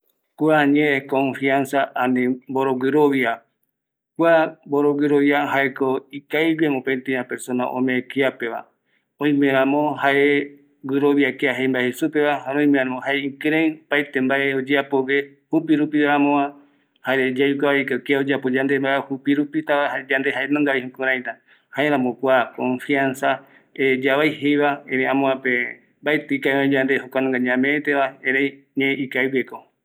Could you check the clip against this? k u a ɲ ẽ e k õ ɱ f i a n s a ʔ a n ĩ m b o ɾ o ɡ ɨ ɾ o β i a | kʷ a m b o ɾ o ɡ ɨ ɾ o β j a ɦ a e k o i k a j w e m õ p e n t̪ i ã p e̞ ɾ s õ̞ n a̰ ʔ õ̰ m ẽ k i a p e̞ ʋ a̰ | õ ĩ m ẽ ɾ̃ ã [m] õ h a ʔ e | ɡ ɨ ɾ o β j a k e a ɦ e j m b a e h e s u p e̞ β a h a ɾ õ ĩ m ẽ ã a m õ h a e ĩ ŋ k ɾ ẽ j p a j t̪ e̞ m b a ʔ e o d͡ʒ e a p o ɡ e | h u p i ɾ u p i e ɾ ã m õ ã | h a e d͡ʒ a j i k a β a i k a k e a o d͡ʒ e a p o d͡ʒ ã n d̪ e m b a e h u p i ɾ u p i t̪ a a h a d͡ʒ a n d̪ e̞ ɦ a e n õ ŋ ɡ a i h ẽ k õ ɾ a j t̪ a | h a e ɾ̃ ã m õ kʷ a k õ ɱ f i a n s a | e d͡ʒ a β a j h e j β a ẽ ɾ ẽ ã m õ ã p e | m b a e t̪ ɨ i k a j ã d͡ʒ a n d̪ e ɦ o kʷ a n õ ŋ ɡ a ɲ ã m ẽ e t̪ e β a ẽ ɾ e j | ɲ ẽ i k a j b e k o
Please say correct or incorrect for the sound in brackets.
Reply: correct